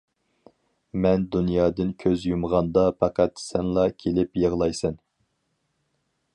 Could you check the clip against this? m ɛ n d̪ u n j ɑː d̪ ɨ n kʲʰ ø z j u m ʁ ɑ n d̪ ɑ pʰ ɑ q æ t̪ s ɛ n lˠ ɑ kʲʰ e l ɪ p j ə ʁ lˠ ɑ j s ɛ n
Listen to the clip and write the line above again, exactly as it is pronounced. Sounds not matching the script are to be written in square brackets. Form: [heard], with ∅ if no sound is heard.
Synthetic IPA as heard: m ɛ n d̪ u n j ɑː d̪ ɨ n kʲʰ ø z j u m ʁ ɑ n d̪ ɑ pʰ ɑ q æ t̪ s ɛ n lˠ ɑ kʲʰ e l ɪ p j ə ʁ lˠ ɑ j s ɛ n

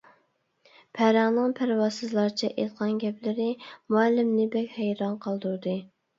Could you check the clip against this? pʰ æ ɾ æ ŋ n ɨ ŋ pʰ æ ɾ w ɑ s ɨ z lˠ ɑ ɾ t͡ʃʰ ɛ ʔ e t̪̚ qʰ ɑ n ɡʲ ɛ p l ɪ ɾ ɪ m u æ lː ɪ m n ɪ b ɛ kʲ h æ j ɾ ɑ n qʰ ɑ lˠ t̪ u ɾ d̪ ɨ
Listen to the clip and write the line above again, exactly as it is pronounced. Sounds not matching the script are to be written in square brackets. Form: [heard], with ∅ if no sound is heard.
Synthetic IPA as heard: pʰ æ ɾ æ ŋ n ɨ ŋ pʰ æ ɾ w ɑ s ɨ z lˠ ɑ ɾ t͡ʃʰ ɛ ʔ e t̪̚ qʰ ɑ n ɡʲ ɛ p l ɪ ɾ ɪ m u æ lː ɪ m n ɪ b ɛ kʲ h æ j ɾ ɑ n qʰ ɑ lˠ [d̪] u ɾ d̪ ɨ

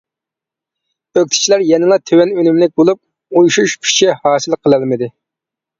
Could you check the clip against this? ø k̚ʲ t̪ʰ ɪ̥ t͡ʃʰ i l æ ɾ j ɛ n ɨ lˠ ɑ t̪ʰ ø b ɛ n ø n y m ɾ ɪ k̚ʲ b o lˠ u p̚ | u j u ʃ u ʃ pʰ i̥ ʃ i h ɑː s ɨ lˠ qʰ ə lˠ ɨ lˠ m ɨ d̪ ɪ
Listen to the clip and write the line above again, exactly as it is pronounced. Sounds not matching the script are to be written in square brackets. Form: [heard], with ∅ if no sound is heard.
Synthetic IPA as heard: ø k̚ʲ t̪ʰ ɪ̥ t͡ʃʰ i l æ ɾ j ɛ n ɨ lˠ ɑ t̪ʰ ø [w] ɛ n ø n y m [l] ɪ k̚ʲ b o lˠ u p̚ | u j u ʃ u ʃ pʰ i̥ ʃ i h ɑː s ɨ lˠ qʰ ə lˠ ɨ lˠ m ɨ d̪ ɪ

